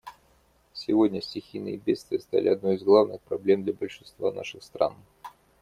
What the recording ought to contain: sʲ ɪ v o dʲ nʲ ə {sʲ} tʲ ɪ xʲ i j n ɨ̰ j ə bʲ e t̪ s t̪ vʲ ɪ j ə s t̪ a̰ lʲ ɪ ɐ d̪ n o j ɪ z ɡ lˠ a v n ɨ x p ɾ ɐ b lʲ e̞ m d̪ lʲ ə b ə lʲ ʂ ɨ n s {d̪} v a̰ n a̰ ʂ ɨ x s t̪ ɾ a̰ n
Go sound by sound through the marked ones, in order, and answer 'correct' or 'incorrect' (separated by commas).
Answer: correct, incorrect